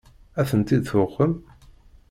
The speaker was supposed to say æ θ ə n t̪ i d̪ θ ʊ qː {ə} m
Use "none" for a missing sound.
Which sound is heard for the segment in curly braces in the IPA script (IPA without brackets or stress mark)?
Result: ə